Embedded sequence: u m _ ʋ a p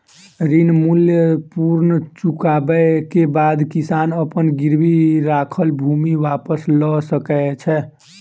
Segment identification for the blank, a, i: i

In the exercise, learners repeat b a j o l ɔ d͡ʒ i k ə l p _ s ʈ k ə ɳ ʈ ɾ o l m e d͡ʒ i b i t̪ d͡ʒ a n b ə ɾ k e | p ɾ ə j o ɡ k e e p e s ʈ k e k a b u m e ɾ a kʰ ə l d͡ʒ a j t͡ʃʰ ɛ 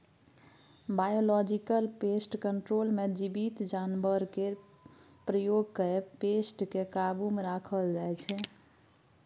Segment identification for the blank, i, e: e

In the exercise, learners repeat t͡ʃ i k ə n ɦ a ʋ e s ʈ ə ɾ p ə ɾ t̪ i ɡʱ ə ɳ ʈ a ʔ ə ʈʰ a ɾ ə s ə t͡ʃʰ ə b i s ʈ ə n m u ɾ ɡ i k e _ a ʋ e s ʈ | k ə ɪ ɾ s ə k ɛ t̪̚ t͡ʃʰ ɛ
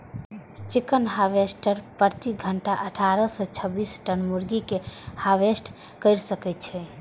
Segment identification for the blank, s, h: h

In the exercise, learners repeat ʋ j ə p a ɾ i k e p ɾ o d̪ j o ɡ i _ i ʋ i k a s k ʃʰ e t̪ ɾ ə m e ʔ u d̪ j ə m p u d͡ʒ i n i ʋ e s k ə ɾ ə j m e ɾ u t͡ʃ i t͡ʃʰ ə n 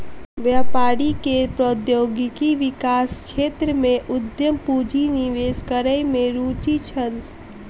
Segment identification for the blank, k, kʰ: k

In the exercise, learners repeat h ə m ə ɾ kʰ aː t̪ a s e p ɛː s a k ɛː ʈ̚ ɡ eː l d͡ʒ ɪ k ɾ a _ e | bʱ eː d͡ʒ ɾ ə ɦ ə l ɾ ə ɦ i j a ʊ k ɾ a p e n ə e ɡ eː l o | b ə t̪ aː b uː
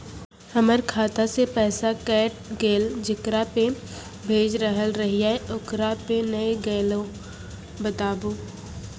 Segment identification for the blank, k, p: p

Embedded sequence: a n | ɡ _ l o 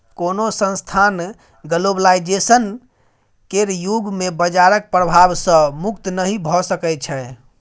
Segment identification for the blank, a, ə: ə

